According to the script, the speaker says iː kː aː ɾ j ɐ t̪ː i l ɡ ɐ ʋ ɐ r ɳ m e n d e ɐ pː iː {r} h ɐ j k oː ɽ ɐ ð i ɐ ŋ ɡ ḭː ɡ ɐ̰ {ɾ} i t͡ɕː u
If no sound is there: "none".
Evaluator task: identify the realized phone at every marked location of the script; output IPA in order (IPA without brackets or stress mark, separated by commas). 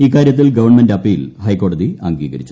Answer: l, ɾ